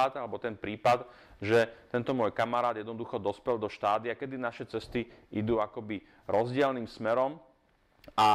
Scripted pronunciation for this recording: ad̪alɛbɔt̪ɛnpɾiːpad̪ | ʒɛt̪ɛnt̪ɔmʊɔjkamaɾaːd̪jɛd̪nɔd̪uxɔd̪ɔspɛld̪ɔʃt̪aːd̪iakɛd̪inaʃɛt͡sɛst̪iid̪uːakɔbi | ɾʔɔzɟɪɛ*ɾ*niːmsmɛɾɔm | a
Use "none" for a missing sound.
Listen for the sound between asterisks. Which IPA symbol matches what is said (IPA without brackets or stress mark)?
l